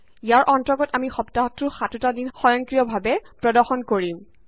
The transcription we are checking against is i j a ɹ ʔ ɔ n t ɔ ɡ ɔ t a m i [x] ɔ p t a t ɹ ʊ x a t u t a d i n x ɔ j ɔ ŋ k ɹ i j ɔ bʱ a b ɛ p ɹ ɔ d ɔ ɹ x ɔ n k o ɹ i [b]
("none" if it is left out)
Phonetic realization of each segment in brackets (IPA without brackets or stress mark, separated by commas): x, m